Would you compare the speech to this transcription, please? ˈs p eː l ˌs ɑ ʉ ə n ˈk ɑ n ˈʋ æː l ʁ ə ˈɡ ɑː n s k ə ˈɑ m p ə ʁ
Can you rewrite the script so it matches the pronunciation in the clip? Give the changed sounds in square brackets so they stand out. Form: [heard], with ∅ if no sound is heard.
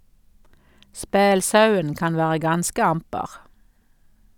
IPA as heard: ˈs p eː l ˌs ɑ ʉ ə n ˈk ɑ n ˈʋ æː [∅] ʁ ə ˈɡ [ɑ] n s k ə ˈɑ m p ə ʁ